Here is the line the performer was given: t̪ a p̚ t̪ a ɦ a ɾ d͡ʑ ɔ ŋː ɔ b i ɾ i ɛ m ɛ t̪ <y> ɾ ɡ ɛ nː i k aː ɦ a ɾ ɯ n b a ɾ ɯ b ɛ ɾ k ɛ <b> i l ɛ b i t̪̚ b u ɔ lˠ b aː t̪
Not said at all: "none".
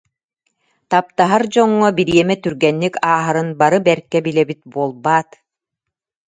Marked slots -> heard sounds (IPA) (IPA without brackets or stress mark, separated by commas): y, b